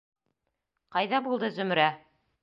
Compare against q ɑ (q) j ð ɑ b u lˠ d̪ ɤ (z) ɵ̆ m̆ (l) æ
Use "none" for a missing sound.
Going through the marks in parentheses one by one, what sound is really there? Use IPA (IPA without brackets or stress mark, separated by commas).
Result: none, z, ɾ